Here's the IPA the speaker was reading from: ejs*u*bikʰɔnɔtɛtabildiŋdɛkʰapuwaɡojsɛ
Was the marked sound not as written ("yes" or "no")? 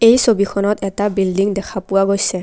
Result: yes